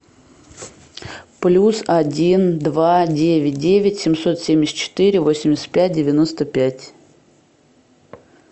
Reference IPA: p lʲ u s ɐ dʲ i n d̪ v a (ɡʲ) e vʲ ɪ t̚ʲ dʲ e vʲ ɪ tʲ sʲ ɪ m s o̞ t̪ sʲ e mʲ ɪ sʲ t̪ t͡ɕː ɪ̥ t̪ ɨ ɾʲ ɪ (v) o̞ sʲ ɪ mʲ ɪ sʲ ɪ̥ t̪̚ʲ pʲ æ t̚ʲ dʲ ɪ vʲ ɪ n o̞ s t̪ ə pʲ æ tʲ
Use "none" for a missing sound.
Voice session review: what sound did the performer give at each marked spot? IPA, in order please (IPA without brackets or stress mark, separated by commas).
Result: dʲ, v